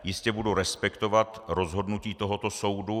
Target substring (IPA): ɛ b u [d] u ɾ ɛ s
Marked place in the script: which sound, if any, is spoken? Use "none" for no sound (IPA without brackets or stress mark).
d